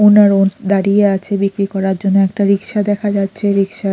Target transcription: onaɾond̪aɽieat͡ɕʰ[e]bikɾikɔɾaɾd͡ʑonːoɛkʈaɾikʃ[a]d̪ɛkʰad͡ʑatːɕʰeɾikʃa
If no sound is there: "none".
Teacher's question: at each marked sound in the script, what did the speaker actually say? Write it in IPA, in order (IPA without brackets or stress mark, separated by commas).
e, a